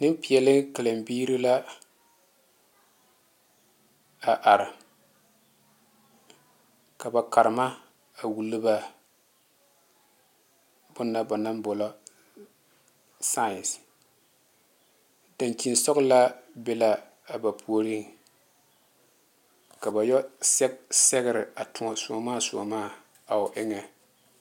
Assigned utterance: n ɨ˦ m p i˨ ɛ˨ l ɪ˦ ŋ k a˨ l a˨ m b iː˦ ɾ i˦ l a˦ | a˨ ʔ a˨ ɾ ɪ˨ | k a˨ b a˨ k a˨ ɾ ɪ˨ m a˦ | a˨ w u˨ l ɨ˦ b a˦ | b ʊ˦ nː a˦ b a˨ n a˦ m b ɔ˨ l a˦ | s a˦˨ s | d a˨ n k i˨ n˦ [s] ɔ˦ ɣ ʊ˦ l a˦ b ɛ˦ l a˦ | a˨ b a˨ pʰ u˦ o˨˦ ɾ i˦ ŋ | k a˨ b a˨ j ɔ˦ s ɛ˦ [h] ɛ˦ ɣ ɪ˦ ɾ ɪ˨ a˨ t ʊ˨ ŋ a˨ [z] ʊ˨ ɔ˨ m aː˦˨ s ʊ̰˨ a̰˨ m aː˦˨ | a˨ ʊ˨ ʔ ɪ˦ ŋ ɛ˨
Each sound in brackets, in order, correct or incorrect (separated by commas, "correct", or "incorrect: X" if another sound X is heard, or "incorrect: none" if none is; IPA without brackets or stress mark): correct, incorrect: s, incorrect: s